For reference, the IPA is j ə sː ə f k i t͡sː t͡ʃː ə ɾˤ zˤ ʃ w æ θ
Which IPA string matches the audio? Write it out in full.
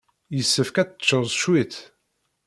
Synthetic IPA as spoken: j ə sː ə f k æ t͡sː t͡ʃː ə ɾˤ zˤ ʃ w i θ